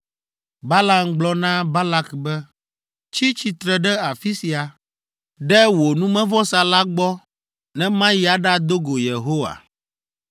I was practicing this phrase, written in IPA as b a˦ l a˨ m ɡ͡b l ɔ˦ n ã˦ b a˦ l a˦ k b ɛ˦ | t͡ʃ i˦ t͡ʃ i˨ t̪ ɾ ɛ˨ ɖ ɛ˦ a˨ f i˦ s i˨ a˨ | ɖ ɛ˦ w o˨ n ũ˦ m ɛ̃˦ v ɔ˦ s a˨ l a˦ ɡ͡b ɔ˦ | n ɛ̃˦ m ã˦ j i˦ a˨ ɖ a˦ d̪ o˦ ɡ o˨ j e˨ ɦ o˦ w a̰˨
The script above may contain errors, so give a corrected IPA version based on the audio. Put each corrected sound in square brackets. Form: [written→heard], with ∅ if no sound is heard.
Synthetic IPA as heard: b a˦ l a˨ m ɡ͡b l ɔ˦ n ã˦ b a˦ l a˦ k b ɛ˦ | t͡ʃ i˦ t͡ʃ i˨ t̪ ɾ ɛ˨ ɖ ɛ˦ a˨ f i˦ s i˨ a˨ | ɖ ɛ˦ w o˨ n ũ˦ m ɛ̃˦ v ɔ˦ s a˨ l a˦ ɡ͡b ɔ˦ | n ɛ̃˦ m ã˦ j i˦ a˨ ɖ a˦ d̪ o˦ ɡ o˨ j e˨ ɦ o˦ w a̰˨

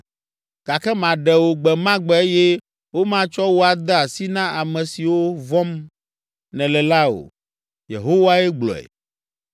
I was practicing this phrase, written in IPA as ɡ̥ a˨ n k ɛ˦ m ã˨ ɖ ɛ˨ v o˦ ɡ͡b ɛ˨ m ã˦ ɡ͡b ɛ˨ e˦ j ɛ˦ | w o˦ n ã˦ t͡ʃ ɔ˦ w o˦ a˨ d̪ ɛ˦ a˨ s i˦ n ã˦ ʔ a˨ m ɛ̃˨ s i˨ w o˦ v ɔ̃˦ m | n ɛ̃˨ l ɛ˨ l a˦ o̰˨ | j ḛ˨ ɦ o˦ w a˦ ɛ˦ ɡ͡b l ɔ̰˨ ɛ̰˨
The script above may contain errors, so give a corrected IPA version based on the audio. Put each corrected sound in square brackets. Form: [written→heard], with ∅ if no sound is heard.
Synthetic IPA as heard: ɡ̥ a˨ [n→∅] k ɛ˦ m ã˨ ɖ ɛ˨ [v→w] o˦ ɡ͡b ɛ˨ m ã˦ ɡ͡b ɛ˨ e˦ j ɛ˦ | w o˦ [n→m] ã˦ t͡ʃ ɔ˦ w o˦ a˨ d̪ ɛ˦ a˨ s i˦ n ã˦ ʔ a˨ m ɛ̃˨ s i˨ w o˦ v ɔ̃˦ m | n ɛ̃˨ l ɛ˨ l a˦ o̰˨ | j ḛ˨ ɦ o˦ w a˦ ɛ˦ ɡ͡b l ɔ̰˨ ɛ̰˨

